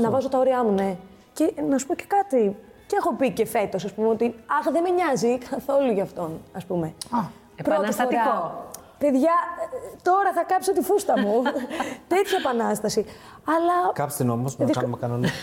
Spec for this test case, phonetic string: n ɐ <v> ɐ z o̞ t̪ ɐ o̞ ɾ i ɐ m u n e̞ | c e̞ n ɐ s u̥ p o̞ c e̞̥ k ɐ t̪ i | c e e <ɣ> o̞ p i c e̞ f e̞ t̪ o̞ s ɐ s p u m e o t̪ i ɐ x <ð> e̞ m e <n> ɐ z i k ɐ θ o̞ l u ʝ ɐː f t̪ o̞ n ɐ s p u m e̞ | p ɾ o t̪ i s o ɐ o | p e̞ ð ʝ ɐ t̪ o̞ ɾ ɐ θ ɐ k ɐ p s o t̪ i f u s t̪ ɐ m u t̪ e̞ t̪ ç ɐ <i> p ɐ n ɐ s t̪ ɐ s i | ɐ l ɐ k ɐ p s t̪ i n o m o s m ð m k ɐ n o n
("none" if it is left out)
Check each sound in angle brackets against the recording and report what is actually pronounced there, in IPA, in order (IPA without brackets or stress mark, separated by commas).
v, x, ð, ɲ, e